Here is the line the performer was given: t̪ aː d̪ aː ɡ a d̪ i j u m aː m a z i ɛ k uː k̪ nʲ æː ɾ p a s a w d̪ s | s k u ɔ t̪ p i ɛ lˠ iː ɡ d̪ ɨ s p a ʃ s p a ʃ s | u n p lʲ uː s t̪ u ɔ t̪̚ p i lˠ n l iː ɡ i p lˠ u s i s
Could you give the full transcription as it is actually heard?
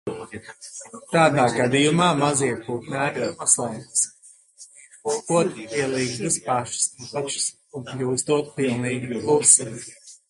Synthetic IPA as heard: t̪ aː d̪ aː ɡ a d̪ i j u m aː m a z i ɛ k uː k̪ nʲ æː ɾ p a s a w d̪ s | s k u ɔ t̪ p i ɛ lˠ iː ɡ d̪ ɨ s p a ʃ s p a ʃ s | u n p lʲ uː s t̪ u ɔ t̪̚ p i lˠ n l iː ɡ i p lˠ u s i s